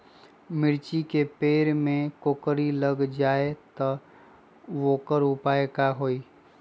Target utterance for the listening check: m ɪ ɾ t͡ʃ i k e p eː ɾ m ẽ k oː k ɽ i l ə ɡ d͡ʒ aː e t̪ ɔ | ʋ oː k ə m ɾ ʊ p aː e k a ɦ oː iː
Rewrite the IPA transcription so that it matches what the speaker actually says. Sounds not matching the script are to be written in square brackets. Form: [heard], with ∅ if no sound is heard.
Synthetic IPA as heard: m ɪ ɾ t͡ʃ i k e p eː ɾ m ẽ k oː k [ɾ] i l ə ɡ d͡ʒ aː e t̪ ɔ | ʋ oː k ə [∅] ɾ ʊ p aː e k a ɦ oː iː